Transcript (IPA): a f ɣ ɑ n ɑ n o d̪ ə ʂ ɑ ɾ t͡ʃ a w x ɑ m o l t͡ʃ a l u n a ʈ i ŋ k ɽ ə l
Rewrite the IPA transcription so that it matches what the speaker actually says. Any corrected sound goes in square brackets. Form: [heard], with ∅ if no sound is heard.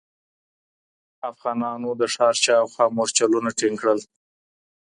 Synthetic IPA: a f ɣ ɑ n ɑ n o d̪ ə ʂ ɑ ɾ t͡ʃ [ɑ] w x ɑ m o [ɾ] t͡ʃ a l u n a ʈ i ŋ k ɽ ə l